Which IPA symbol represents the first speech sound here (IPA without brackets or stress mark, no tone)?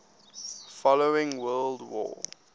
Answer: f